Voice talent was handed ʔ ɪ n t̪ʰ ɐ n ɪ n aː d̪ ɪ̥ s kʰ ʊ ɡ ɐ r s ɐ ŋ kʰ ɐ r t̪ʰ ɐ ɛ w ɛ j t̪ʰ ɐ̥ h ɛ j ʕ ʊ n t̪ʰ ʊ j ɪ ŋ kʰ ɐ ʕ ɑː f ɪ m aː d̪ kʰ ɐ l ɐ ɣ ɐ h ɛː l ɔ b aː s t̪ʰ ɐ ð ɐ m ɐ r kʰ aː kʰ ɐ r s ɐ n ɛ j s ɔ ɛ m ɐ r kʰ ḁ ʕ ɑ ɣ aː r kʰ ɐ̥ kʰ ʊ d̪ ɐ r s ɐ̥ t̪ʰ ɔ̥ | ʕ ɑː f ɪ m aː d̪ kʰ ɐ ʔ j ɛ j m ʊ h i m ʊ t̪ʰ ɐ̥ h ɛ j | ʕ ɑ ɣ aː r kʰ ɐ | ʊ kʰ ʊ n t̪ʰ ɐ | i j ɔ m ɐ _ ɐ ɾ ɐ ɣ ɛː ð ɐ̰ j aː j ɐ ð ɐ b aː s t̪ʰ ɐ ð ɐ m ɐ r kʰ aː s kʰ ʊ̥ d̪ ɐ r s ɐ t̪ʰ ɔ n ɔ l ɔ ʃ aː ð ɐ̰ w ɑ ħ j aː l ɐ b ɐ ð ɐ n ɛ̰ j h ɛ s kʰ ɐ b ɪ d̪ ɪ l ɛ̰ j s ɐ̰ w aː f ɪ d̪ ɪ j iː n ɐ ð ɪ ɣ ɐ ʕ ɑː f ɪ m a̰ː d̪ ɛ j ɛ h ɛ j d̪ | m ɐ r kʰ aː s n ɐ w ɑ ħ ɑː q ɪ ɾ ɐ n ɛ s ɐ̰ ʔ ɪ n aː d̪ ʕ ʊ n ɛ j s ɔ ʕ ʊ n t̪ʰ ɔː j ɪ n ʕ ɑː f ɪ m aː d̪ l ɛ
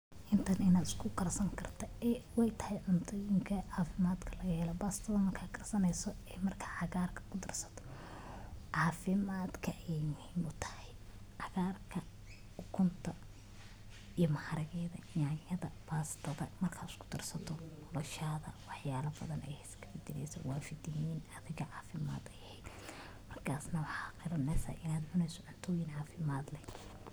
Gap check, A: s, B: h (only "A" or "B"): B